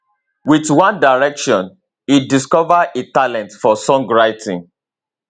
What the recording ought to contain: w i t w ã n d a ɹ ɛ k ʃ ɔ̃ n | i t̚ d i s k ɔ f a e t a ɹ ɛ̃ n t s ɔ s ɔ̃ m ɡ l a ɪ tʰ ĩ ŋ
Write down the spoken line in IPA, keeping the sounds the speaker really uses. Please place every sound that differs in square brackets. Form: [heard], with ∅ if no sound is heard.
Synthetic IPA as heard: w i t w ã n d a ɹ ɛ k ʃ ɔ̃ n | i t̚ d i s k ɔ [v] a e t a [l] ɛ̃ n t [f] ɔ s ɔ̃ [ŋ] ɡ [ɹ] a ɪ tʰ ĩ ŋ